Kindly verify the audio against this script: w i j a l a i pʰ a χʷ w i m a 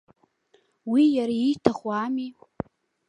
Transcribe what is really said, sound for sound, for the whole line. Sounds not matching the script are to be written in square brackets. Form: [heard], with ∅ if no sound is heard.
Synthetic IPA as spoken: w i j a [ɾ] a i [tʰ] a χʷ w [a] m [i]